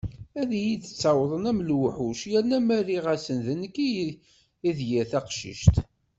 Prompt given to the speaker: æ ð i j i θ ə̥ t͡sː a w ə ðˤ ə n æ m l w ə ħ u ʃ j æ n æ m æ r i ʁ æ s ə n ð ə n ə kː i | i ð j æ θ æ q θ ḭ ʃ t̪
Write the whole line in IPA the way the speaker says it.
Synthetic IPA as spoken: æ ð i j i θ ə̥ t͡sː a w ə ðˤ ə n æ m l w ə ħ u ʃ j æ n æ m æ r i ʁ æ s ə n ð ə n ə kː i | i ð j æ θ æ q ʃ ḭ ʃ t̪